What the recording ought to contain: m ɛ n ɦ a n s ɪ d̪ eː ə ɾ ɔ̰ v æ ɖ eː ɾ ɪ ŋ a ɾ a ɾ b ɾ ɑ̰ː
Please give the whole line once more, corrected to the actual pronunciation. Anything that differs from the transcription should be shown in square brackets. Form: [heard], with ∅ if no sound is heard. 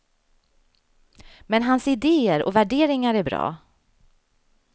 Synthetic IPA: m ɛ n ɦ a n s ɪ d̪ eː ə ɾ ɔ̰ v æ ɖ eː ɾ ɪ ŋ a ɾ [æ] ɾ b ɾ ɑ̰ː

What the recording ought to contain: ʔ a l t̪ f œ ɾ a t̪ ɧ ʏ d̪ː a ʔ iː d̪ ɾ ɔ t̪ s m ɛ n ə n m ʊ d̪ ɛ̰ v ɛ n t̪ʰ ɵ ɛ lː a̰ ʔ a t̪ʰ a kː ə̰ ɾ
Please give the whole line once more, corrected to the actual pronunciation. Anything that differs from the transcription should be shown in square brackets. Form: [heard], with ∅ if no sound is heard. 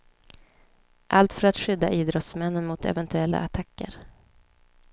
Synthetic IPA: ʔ a l t̪ f œ ɾ a t̪ ɧ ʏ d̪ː a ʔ iː d̪ ɾ ɔ t̪ s m ɛ [nː] ə n m ʊ [t̪] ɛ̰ v ɛ n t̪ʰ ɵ ɛ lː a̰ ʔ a t̪ʰ a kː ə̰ ɾ

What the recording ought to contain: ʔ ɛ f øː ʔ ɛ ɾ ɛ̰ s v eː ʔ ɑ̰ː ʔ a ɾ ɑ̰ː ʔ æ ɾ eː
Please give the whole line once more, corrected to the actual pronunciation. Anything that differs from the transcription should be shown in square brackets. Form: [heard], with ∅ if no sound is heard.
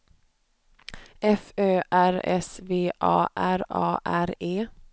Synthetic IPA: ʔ ɛ f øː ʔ [æ] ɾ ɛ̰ s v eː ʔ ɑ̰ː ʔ [æ] ɾ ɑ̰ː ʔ æ ɾ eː

